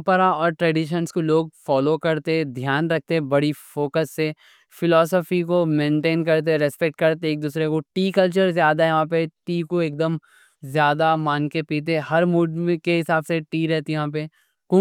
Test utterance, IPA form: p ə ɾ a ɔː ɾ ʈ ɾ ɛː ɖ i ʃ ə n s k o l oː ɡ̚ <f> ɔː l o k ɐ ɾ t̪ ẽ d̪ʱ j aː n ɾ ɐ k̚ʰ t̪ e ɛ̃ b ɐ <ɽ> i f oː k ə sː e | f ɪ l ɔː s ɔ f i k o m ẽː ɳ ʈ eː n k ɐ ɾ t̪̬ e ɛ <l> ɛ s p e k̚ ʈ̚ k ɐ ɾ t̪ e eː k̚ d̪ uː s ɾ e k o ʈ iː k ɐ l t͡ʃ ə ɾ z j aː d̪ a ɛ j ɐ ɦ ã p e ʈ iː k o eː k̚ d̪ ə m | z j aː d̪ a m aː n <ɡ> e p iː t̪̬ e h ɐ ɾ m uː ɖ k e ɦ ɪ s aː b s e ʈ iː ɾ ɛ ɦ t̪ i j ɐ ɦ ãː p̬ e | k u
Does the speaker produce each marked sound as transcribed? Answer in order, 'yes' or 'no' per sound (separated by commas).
yes, yes, no, no